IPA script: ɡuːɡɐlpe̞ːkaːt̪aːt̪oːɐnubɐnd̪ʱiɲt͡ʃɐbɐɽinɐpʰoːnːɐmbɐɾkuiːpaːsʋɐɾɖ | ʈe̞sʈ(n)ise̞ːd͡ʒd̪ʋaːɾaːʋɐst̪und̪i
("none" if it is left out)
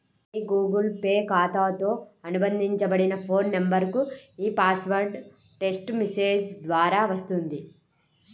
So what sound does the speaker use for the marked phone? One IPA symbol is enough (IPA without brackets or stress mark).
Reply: m